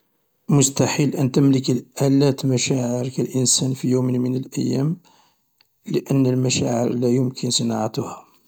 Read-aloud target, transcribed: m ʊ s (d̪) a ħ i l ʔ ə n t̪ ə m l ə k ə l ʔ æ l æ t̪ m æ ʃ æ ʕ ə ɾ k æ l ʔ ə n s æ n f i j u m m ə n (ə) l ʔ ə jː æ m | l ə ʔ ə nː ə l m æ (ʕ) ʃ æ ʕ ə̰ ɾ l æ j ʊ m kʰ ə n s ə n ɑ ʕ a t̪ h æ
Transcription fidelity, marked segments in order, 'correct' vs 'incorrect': incorrect: t̪, correct, incorrect: none

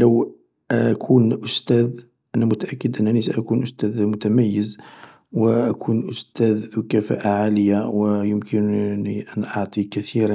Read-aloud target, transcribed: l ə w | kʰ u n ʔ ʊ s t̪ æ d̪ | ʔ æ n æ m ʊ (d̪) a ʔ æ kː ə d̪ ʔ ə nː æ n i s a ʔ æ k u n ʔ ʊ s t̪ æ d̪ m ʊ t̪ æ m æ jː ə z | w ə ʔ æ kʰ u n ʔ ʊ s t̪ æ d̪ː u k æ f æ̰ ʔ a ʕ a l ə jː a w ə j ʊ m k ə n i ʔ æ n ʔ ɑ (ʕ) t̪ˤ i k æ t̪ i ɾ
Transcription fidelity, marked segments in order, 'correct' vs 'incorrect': incorrect: t̪, correct

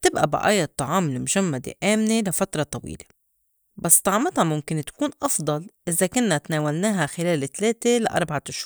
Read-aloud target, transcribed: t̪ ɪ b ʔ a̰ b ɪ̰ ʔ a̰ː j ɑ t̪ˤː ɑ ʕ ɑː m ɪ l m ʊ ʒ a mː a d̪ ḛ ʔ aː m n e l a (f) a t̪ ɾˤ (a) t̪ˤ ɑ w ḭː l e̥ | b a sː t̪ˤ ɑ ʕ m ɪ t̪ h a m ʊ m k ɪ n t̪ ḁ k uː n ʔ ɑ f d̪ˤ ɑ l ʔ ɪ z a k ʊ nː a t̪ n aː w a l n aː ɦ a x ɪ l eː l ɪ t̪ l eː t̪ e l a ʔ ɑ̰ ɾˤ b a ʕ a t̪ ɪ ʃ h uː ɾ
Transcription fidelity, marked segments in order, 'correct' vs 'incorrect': correct, incorrect: ɑ

